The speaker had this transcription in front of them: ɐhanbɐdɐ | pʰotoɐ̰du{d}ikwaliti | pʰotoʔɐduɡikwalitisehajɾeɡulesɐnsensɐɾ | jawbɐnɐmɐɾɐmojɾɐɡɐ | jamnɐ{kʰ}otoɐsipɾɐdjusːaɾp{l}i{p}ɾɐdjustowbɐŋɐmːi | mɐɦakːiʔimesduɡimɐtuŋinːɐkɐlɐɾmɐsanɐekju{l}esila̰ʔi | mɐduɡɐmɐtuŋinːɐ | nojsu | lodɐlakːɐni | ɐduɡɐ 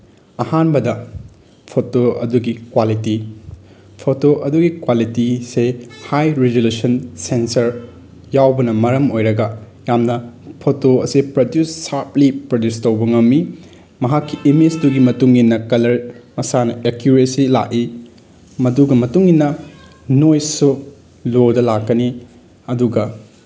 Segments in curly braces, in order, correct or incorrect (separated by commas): incorrect, incorrect, correct, correct, incorrect